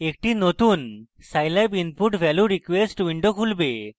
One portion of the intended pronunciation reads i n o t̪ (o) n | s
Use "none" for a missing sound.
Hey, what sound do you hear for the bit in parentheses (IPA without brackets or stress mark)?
u